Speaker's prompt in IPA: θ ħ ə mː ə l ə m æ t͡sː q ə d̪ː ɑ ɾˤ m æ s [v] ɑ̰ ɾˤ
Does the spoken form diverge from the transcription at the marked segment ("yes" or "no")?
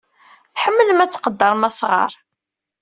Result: yes